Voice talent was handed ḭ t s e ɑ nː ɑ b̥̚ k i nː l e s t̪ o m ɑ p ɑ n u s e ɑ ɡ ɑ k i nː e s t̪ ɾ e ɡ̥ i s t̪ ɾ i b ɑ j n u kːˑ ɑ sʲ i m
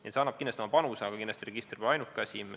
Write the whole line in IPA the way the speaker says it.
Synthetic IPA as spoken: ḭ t s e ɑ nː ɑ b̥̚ k i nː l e s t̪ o m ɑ p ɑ n u s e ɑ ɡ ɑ k i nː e s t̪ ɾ e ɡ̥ i s t̪ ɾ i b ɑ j n u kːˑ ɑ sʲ i m